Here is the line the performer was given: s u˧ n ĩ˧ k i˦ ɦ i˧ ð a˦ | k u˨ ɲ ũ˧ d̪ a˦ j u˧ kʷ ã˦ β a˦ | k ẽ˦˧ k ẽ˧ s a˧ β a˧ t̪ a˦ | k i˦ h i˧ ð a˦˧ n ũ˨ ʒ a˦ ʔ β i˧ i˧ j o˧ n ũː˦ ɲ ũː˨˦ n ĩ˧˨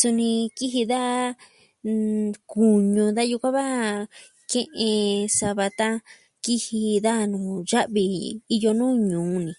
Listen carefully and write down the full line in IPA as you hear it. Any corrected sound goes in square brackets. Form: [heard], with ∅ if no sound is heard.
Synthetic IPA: s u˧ n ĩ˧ k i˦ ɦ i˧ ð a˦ | k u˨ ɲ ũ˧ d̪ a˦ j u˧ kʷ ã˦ β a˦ | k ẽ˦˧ [ʔ] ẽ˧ s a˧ β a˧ t̪ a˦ | k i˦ h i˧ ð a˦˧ n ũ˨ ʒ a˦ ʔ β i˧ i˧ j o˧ n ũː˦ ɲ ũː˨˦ n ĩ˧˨

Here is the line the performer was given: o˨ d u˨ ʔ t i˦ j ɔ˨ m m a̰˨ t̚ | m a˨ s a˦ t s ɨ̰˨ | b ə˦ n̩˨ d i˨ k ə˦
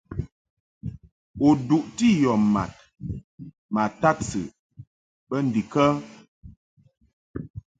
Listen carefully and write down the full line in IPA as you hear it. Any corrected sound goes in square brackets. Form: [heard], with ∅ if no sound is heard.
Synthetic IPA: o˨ d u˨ ʔ t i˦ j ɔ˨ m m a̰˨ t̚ | m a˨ [t] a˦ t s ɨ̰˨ | b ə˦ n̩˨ d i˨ k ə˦

